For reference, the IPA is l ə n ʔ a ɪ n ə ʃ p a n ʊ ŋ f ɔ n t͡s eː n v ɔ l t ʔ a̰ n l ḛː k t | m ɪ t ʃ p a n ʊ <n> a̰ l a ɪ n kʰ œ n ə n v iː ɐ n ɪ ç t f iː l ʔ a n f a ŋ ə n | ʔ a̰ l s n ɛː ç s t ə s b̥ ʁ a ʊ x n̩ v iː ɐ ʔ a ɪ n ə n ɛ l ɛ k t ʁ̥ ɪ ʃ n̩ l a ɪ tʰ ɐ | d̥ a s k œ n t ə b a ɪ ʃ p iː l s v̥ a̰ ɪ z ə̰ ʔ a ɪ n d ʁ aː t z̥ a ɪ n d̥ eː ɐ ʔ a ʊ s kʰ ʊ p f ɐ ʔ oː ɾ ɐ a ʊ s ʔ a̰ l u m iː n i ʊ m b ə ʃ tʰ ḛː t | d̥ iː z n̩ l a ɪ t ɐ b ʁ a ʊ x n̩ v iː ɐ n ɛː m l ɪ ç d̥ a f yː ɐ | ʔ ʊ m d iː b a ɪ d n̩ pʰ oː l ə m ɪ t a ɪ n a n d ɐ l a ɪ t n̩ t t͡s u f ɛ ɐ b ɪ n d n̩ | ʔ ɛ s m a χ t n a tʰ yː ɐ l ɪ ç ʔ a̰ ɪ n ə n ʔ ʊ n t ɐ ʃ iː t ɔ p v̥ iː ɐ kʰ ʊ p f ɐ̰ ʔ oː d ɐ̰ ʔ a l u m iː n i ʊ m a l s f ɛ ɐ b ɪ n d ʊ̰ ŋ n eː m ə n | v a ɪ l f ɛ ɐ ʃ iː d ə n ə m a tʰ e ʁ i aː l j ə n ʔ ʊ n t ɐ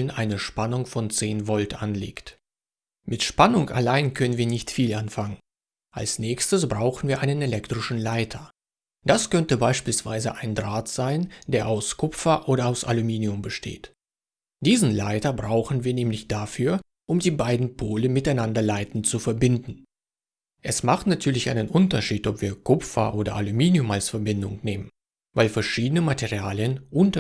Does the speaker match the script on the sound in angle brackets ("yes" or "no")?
no